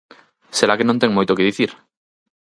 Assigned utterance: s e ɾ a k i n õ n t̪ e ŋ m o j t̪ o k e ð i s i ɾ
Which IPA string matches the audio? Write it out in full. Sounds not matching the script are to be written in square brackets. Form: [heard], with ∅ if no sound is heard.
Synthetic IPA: s e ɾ a k [e] n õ n t̪ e ŋ m o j t̪ o k e ð i [θ] i ɾ